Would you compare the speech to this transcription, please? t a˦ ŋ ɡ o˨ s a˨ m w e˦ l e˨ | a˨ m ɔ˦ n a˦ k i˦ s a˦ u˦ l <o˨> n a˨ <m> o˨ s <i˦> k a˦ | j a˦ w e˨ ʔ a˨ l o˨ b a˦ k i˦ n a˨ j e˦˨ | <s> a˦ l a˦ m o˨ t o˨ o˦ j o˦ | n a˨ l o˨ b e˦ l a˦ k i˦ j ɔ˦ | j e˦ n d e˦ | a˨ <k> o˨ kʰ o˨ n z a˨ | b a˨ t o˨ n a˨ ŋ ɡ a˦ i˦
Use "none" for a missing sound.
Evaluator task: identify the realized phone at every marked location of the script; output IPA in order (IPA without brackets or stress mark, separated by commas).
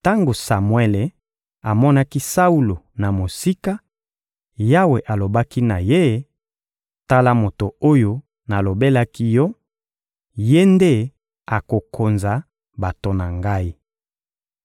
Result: o˨, m, i˦, t, k